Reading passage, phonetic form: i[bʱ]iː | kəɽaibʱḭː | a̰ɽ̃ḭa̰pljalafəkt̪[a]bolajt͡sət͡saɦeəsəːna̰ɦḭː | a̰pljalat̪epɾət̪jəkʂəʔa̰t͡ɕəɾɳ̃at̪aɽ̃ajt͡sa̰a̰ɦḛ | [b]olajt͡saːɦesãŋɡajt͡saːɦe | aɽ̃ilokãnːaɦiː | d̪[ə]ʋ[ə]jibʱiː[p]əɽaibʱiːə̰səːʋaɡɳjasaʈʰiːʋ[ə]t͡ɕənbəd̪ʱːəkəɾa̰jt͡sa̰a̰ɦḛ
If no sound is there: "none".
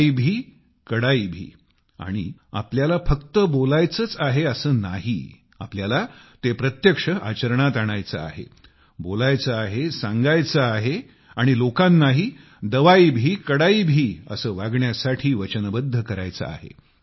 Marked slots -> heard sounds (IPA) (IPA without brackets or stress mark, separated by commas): bʱ, ə, b, ə, a, k, ə